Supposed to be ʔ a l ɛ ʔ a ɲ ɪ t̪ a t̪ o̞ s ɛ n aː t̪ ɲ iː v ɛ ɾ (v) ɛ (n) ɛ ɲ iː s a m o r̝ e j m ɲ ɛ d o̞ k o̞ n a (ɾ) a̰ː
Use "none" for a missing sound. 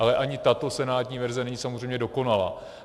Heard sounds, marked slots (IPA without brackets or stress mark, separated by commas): z, n, l